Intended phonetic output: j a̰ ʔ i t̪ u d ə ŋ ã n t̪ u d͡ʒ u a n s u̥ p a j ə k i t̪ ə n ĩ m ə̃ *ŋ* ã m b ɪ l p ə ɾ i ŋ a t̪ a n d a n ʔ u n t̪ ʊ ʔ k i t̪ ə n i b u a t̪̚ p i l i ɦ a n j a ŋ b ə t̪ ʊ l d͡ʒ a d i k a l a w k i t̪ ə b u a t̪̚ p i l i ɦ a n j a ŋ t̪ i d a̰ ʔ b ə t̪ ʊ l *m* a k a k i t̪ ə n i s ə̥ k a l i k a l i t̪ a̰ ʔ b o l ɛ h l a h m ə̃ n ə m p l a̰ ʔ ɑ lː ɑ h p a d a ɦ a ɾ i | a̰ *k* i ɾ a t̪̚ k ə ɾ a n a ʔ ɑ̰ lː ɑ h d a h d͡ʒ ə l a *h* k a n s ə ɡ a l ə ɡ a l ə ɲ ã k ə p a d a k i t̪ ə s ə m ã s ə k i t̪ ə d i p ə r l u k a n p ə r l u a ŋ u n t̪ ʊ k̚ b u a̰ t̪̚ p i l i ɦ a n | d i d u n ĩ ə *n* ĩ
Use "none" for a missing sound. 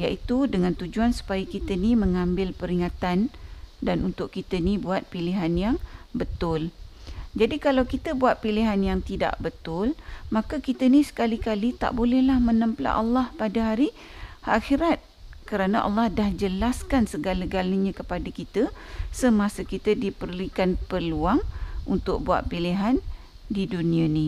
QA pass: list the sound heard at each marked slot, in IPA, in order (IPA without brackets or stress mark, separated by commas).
ŋ, m, x, s, n